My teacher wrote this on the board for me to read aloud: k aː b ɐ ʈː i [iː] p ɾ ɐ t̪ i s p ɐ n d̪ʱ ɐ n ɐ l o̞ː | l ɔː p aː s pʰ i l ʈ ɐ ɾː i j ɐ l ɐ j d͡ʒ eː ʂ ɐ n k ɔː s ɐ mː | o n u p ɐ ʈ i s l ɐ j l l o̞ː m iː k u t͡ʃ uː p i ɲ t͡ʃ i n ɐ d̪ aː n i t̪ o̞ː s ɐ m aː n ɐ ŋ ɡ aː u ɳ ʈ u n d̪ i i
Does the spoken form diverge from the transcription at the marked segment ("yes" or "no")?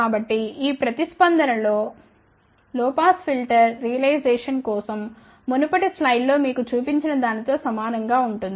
no